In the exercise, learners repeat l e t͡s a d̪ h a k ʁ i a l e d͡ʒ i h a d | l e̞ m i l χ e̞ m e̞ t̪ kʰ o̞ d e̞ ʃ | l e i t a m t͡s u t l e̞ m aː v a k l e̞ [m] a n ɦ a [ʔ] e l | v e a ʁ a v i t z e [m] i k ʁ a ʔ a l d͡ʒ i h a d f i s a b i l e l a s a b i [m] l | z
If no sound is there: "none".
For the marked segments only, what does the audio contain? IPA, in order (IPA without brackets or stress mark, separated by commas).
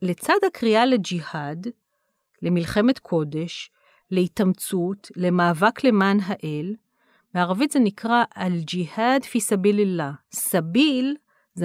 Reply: m, ʔ, n, none